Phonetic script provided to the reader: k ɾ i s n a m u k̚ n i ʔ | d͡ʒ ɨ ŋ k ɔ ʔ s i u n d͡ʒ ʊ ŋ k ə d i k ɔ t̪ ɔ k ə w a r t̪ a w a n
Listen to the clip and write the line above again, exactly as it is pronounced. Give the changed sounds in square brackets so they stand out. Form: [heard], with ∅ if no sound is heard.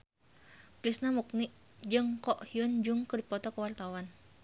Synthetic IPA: k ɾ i s n a m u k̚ n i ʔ | d͡ʒ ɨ ŋ k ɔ ʔ [h] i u n d͡ʒ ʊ ŋ k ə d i [p] ɔ t̪ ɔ k ə w a r t̪ a w a n